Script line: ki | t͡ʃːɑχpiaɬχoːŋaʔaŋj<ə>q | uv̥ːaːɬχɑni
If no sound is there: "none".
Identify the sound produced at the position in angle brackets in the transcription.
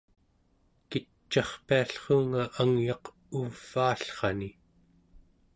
ɑ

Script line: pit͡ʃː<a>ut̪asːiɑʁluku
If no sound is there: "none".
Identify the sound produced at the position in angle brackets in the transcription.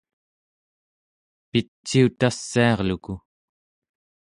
i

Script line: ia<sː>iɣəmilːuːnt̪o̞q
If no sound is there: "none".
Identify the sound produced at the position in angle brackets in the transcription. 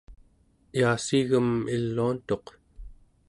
s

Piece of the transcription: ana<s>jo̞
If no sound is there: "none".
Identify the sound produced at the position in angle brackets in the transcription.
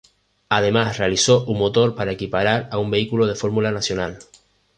s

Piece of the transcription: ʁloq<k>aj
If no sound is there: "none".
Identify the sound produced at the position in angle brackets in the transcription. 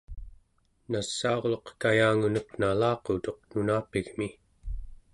k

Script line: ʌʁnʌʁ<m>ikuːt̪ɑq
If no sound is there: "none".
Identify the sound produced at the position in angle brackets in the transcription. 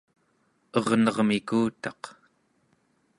m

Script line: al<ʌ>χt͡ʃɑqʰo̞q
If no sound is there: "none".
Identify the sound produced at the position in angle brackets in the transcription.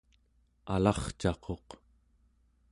ɑ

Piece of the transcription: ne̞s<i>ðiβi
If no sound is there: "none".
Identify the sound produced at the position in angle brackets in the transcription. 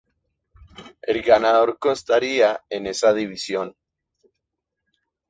a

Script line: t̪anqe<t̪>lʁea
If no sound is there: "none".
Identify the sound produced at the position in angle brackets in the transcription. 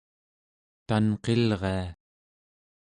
none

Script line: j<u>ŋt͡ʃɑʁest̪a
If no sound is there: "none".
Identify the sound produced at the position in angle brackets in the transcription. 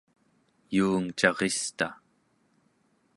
uː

